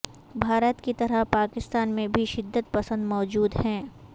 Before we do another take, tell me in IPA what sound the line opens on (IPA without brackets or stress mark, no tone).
bʱ